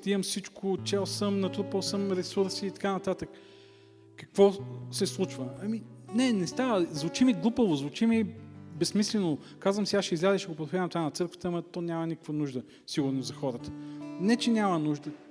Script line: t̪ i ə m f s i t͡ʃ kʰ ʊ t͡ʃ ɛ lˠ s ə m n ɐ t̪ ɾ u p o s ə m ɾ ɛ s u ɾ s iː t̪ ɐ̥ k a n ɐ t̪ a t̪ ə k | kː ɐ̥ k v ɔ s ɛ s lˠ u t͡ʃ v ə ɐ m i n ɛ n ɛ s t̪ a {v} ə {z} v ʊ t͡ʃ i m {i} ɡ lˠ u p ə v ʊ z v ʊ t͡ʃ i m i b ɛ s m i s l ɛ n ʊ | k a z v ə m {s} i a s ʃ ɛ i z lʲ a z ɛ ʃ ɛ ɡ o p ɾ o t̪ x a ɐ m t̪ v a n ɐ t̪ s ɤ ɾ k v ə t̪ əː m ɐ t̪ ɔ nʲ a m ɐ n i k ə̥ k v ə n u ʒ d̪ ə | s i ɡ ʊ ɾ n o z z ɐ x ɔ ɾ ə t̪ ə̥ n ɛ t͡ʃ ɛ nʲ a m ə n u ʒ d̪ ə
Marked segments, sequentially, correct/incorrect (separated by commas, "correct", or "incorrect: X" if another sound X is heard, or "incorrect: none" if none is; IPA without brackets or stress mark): correct, correct, correct, correct